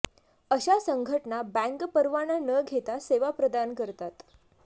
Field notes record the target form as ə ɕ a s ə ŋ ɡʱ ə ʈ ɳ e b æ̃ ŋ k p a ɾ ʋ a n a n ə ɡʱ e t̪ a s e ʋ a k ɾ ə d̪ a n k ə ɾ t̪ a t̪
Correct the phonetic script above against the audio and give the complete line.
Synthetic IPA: ə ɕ a s ə ŋ ɡʱ ə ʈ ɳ a b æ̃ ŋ k p ə ɾ ʋ a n a n ə ɡʱ e t̪ a s e ʋ a p ɾ ə d̪ a n k ə ɾ t̪ a t̪

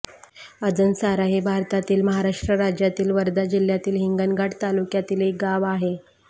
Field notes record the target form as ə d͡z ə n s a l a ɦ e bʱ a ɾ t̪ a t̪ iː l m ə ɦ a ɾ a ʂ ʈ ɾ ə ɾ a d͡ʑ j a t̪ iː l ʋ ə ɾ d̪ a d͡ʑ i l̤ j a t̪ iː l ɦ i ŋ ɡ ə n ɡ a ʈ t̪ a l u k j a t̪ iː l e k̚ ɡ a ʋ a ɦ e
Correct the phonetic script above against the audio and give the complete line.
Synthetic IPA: ə d͡z ə n s a ɾ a ɦ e bʱ a ɾ t̪ a t̪ iː l m ə ɦ a ɾ a ʂ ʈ ɾ ə ɾ a d͡ʑ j a t̪ iː l ʋ ə ɾ d̪ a d͡ʑ i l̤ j a t̪ iː l ɦ i ŋ ɡ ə n ɡ a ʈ t̪ a l u k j a t̪ iː l e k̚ ɡ a ʋ a ɦ e

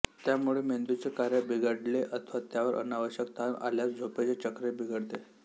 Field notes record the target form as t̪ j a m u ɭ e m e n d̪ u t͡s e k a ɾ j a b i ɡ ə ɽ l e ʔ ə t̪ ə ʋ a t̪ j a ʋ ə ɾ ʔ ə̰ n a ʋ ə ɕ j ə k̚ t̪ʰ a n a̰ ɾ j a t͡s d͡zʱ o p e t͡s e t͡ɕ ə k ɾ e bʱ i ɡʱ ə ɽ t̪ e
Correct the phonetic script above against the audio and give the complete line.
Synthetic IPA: t̪ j a m u ɭ e m e n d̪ u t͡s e k a ɾ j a b i ɡ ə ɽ l e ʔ ə t̪ʰ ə ʋ a t̪ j a ʋ ə ɾ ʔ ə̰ n a ʋ ə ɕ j ə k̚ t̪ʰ a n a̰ l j a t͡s d͡zʱ o p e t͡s e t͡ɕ ə k ɾ e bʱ i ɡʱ ə ɽ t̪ e

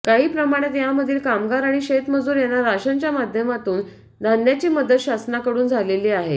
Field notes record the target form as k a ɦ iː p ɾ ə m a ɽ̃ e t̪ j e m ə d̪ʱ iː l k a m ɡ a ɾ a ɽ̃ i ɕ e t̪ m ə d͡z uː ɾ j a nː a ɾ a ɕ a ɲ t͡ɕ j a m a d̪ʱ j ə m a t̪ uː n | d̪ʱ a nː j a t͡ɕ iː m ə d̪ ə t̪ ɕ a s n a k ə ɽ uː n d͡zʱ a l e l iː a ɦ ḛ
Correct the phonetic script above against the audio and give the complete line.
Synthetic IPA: k a ɦ iː p ɾ ə m a ɽ̃ e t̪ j a m ə d̪ʱ iː l k a m ɡ a ɾ a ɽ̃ i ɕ e t̪ m ə d͡z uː ɾ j a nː a ɾ a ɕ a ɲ t͡ɕ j a m a d̪ʱ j ə m a t̪ uː n | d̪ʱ a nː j a t͡ɕ iː m ə d̪ ə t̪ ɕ a s n a k ə ɽ uː n d͡zʱ a l e l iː a ɦ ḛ

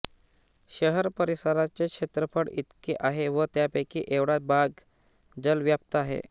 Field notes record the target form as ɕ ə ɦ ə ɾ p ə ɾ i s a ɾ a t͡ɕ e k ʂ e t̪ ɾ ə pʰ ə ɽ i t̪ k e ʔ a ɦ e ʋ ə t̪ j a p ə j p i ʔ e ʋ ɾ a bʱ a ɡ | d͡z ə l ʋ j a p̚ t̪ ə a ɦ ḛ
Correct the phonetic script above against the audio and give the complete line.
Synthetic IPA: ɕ ə ɦ ə ɾ p ə ɾ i s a ɾ a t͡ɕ e k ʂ e t̪ ɾ ə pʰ ə ɽ i t̪ k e ʔ a ɦ e ʋ ə t̪ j a p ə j k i ʔ e ʋ ɽ a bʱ a ɡ | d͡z ə l ʋ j a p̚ t̪ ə a ɦ ḛ

